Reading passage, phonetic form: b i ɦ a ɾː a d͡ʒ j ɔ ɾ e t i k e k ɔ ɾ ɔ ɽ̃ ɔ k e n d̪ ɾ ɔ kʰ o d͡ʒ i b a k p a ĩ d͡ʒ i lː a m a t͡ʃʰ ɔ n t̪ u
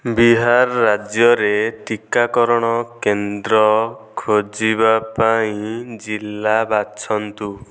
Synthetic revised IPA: b i ɦ a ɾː a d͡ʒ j ɔ ɾ e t i k a k ɔ ɾ ɔ ɽ̃ ɔ k e n d̪ ɾ ɔ kʰ o d͡ʒ i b a p a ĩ d͡ʒ i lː a b a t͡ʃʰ ɔ n t̪ u